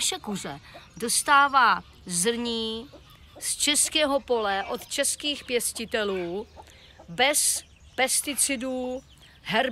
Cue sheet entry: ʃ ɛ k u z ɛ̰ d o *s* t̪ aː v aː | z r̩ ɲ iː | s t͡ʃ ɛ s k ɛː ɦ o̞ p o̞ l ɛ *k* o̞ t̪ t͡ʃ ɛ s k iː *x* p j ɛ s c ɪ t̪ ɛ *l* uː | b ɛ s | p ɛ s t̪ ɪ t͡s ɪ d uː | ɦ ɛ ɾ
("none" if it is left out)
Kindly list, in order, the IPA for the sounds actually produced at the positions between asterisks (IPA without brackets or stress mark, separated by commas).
s, ʔ, x, l